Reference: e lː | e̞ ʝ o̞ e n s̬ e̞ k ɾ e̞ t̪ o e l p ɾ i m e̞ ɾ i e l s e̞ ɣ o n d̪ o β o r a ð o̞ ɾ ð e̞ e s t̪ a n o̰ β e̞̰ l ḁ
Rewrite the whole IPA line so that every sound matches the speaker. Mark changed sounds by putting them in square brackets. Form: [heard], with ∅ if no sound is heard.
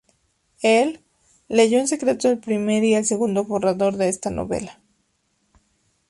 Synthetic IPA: e lː | e̞ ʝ o̞ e n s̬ e̞ k ɾ e̞ t̪ o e l p ɾ i m e̞ ɾ i e l s e̞ ɣ [u] n d̪ o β o r a ð o̞ ɾ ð e̞ e s t̪ a n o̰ β e̞̰ l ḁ